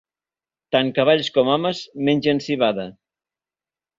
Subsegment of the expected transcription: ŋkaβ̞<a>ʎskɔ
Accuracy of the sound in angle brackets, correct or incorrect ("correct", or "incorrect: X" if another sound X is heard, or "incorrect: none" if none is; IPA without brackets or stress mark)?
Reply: correct